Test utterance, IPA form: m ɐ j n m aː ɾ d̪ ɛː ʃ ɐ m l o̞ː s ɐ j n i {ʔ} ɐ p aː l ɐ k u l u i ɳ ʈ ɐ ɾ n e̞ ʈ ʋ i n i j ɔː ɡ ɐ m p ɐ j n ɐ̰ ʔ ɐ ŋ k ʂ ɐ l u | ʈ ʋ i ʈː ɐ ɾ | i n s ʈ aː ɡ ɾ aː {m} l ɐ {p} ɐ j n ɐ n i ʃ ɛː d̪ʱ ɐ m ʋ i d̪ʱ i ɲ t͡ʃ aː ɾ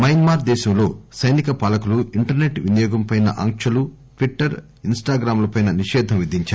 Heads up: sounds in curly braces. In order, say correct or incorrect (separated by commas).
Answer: incorrect, correct, correct